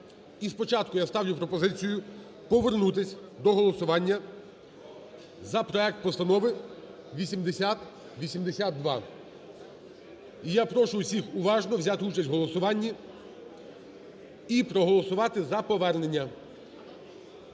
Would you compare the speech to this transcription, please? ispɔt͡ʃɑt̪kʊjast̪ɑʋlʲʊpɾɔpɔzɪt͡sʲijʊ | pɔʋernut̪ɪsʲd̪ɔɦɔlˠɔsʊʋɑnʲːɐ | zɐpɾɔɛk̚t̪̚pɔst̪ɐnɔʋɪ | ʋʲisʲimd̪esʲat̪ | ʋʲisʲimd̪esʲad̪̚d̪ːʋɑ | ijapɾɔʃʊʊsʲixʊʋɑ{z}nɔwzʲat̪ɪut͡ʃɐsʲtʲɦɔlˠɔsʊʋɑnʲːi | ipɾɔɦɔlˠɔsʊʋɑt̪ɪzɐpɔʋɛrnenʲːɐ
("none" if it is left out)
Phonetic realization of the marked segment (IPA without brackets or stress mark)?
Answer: ʒ